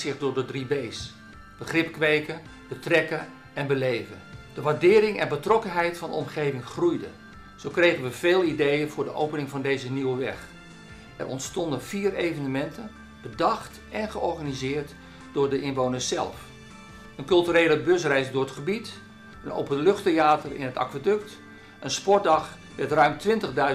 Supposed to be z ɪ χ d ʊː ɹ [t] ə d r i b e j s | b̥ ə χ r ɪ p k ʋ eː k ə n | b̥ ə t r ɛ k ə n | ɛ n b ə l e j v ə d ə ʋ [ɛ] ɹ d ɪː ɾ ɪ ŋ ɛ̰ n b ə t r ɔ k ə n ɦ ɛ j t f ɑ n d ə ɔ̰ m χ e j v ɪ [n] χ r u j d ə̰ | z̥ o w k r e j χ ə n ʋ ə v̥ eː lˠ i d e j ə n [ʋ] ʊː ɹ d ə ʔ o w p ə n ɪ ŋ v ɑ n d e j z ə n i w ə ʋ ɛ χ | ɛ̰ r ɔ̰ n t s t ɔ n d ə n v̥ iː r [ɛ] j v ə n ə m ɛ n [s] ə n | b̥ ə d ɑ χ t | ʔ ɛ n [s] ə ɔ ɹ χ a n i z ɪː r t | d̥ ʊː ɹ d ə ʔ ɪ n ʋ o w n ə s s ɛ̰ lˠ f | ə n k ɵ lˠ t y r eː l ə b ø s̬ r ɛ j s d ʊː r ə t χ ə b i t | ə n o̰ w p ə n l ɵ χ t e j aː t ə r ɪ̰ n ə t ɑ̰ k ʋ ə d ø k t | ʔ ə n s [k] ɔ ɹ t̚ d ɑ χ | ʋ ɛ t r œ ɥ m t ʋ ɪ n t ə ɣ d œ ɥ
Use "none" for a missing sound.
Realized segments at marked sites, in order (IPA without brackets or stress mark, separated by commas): d, a, ŋ, v, e, t, χ, p